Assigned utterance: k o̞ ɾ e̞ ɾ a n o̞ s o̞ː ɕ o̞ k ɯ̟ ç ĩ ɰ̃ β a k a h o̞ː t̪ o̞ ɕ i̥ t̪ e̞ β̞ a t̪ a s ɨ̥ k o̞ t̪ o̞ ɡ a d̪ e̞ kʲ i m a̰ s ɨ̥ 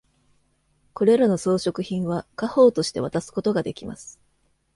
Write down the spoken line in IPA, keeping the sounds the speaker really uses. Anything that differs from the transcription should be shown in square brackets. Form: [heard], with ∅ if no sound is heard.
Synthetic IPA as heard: k o̞ ɾ e̞ ɾ a n o̞ s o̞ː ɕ o̞ k ɯ̟ ç ĩ ɰ̃ β a k a h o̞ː t̪ o̞ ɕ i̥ t̪ e̞ β̞ a t̪ a s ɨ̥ k o̞ t̪ o̞ ɡ a d̪ e̞ kʲ i m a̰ s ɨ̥